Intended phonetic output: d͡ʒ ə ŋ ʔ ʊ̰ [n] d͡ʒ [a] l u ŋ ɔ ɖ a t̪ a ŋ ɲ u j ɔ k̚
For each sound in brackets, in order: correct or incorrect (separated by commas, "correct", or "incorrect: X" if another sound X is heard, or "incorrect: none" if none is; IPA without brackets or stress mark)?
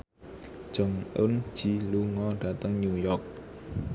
correct, incorrect: i